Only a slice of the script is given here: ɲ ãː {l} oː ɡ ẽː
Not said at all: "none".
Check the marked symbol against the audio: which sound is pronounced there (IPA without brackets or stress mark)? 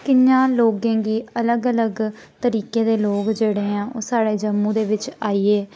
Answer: l